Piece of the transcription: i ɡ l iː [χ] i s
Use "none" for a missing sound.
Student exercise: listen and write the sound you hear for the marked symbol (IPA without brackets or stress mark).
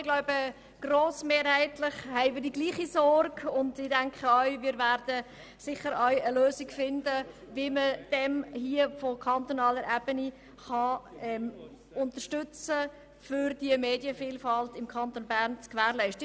χ